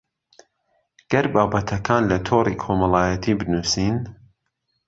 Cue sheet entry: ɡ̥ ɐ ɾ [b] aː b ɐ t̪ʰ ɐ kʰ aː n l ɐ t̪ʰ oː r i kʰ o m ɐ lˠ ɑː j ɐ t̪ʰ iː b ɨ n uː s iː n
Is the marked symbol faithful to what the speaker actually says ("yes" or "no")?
yes